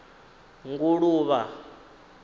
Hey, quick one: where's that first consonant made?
velum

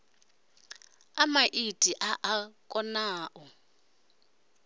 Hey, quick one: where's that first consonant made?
lips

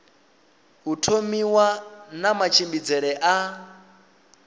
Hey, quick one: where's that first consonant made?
throat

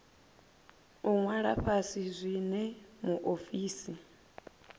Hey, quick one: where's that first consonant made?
velum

